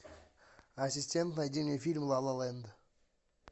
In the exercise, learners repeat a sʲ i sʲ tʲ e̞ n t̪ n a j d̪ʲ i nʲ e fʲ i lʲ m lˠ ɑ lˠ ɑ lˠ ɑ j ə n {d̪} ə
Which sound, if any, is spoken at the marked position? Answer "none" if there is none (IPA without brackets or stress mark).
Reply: d̪